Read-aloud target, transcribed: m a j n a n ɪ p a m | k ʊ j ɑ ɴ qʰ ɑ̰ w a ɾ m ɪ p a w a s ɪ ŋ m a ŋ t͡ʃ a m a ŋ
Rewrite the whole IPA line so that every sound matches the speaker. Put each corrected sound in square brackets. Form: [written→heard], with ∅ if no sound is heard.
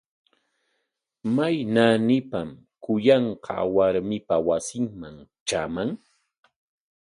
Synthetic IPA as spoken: m a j n a n ɪ p a m | k ʊ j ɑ ɴ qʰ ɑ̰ w a ɾ m ɪ p a w a s ɪ ŋ m a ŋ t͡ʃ a m a ŋ